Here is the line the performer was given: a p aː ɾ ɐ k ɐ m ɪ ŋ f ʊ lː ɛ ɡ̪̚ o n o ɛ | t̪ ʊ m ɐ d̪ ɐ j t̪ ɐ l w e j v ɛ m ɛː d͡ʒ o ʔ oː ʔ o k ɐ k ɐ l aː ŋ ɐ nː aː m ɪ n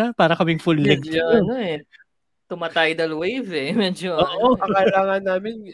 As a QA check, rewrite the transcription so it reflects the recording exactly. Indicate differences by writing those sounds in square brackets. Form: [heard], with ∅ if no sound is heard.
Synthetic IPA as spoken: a p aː ɾ ɐ k ɐ m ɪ ŋ f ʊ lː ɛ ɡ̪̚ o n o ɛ | t̪ ʊ m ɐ [t̪] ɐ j [d̪] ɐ l w e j v ɛ m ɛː d͡ʒ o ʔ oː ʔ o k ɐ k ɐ l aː ŋ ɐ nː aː m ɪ n